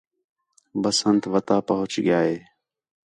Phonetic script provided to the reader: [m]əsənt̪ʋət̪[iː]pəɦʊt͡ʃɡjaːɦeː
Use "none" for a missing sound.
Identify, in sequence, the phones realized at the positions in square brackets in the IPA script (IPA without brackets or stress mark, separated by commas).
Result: b, aː